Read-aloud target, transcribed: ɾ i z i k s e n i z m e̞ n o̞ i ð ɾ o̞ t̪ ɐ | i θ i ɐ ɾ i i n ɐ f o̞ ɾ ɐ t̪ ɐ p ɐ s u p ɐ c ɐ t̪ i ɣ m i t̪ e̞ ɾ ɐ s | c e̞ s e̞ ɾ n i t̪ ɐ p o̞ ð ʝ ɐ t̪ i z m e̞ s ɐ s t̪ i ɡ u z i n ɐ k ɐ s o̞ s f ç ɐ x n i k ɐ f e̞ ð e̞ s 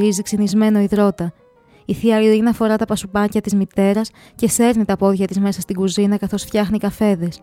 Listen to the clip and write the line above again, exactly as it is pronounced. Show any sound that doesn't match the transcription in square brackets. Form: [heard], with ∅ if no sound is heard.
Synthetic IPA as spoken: ɾ i z i k s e n i z m e̞ n o̞ i ð ɾ o̞ t̪ ɐ | i θ i ɐ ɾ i i n ɐ f o̞ ɾ ɐ t̪ ɐ p ɐ s u p ɐ c ɐ t̪ i [z] m i t̪ e̞ ɾ ɐ s | c e̞ s e̞ ɾ n i t̪ ɐ p o̞ ð ʝ ɐ t̪ i z m e̞ s ɐ s t̪ i ɡ u z i n ɐ k ɐ [θ] o̞ s f ç ɐ x n i k ɐ f e̞ ð e̞ s